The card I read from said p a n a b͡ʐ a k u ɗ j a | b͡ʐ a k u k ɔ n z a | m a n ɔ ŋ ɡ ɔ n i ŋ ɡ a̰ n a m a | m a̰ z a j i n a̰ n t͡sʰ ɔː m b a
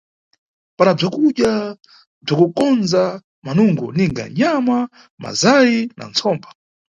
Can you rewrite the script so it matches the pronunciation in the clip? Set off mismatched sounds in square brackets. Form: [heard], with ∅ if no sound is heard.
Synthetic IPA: p a n a b͡ʐ a k u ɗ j a | b͡ʐ a k u k ɔ n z a | m a n [u] ŋ ɡ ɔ n i ŋ ɡ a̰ [ɲ] a m a | m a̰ z a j i n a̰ n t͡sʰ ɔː m b a